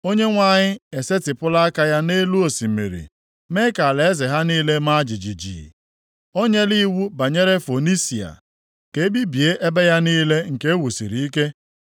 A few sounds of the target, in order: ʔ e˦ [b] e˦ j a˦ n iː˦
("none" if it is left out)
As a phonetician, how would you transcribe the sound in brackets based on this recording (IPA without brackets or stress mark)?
b